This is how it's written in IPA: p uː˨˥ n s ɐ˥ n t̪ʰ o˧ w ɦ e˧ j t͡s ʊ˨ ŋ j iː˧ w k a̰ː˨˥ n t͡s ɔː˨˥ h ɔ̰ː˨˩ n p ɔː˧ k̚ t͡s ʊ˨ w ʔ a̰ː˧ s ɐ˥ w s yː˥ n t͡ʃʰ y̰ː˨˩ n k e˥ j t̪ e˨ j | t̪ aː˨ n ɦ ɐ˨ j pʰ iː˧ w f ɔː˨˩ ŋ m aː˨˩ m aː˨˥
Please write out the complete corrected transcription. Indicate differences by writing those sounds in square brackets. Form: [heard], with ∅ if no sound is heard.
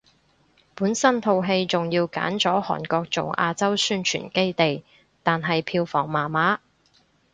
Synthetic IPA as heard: p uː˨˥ n s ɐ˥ n t̪ʰ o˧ w ɦ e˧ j t͡s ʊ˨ ŋ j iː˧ w k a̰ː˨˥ n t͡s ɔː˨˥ h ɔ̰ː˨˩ n [k] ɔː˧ k̚ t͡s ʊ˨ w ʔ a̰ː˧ [t͡s] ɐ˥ w s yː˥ n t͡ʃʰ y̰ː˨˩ n k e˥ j t̪ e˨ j | t̪ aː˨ n ɦ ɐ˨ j pʰ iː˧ w f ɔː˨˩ ŋ m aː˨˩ m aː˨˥